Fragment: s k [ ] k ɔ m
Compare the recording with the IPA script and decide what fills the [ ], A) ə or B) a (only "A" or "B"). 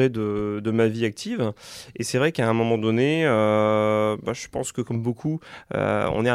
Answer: A